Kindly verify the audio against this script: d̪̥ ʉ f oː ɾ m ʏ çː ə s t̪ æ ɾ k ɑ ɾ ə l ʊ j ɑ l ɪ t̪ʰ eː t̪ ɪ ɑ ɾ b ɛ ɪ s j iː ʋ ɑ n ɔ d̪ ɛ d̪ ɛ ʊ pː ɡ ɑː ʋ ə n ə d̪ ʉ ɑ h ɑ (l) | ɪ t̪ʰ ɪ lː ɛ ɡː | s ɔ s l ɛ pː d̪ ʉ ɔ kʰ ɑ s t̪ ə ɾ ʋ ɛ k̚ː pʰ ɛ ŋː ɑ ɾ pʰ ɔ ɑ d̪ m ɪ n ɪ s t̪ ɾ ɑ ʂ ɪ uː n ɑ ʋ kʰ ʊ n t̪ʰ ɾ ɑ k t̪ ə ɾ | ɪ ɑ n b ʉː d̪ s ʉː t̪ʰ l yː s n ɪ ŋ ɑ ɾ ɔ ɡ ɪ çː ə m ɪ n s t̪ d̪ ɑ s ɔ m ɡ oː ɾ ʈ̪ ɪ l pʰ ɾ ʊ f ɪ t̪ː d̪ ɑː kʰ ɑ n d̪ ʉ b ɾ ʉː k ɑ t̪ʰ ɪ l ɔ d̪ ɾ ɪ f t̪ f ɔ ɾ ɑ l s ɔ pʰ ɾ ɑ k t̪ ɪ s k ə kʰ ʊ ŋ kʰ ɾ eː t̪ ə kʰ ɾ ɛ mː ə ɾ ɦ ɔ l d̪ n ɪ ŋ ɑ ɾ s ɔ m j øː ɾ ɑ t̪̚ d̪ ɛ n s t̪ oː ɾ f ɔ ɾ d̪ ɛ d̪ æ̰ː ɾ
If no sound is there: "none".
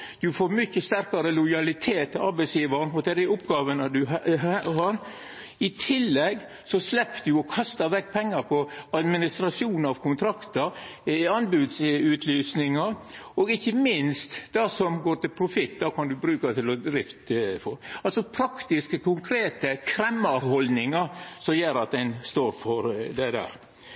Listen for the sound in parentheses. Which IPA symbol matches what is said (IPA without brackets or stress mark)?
ɾ